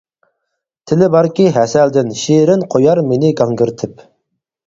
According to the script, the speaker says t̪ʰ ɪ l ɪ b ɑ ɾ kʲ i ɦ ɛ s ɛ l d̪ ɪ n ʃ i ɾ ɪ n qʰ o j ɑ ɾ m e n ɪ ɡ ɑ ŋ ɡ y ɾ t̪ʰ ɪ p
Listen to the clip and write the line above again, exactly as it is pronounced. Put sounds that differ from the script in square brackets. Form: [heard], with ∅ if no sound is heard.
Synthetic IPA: t̪ʰ ɪ l ɪ b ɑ ɾ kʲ i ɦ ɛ s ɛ l d̪ ɪ n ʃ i ɾ ɪ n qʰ o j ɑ ɾ m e n ɪ ɡ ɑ ŋ ɡ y ɾ t̪ʰ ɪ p